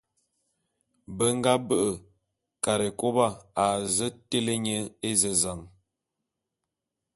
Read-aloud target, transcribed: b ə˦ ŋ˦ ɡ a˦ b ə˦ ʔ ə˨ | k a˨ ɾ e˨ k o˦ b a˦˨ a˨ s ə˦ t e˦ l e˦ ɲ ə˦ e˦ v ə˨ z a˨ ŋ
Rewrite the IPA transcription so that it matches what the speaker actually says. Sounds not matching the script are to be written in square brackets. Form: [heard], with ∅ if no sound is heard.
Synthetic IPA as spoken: b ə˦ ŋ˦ ɡ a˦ b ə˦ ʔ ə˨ | k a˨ ɾ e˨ k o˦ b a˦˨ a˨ [z] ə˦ t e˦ l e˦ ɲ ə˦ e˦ [z] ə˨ z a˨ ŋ